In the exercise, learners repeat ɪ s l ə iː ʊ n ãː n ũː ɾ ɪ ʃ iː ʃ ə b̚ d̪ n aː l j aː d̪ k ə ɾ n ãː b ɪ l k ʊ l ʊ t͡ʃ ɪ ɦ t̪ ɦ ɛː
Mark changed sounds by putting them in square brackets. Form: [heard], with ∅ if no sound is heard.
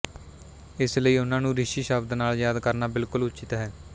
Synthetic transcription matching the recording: ɪ s l ə iː ʊ n ãː n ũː ɾ ɪ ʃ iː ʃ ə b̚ d̪ n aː l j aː d̪ k ə ɾ n [aː] b ɪ l k ʊ l ʊ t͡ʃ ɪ [∅] t̪ ɦ ɛː